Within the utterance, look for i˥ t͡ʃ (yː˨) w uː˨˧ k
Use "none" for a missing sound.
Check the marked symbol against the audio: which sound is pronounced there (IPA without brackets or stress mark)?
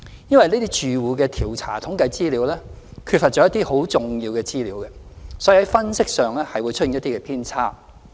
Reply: yː˨